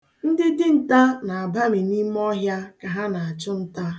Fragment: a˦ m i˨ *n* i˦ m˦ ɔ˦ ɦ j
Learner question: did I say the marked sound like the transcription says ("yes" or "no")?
yes